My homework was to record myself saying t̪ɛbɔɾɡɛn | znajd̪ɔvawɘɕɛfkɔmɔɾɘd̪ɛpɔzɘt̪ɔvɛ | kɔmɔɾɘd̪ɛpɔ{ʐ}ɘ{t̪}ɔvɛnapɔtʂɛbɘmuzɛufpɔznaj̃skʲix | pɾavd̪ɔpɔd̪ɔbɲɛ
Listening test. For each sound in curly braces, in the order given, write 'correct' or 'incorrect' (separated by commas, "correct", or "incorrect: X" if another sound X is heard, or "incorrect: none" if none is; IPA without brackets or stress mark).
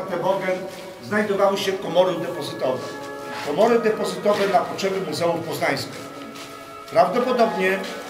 incorrect: z, correct